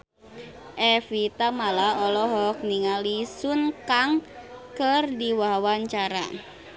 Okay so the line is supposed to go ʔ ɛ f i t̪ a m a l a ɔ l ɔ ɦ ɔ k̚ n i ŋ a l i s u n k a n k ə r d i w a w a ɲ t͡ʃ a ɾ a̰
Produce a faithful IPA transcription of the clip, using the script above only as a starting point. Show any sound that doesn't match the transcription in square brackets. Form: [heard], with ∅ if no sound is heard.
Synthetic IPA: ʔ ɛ f i t̪ a m a l a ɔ l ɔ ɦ ɔ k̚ n i ŋ a l i s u n k a [ŋ] k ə r d i w a w a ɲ t͡ʃ a ɾ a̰